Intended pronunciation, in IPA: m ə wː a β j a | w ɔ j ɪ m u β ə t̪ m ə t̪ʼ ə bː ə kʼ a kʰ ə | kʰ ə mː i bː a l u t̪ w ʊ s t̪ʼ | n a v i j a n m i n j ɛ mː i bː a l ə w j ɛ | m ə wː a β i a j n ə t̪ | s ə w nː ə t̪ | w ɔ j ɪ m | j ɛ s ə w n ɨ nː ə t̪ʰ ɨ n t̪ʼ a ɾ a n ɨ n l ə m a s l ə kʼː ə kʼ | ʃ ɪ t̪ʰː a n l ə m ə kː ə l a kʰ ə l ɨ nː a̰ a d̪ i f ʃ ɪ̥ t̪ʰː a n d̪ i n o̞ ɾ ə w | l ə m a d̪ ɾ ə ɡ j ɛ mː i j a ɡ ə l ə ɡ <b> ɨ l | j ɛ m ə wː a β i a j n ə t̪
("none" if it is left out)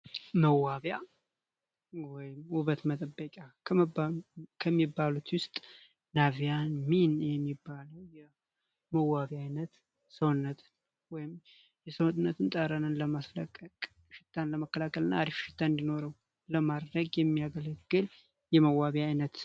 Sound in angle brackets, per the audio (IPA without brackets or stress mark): ɡ